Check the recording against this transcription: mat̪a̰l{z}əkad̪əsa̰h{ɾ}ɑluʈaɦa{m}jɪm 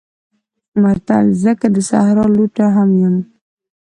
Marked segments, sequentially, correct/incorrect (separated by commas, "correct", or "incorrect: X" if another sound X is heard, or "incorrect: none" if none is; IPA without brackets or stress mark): correct, correct, correct